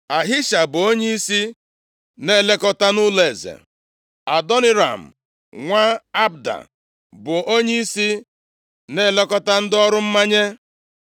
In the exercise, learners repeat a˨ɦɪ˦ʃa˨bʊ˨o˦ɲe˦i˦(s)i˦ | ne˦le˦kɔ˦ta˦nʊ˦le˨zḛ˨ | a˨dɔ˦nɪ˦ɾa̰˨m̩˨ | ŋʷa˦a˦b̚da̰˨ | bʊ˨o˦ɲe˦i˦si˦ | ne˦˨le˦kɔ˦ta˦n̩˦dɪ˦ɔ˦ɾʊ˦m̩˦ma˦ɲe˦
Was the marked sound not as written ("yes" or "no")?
no